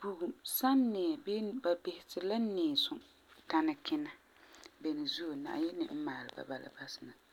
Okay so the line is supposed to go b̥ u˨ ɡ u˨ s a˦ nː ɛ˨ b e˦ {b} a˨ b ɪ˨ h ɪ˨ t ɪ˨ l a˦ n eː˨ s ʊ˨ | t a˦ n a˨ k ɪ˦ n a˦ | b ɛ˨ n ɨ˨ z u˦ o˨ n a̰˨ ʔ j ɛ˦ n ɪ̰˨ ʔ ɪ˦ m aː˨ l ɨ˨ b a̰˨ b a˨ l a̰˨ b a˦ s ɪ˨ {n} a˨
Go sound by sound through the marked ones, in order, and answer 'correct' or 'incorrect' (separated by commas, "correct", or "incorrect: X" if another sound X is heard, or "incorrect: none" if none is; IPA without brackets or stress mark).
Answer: correct, correct